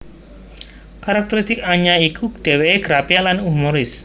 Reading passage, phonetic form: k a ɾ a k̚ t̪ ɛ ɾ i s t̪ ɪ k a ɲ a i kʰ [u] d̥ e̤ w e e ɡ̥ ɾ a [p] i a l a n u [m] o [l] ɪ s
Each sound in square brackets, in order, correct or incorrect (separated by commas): correct, correct, correct, incorrect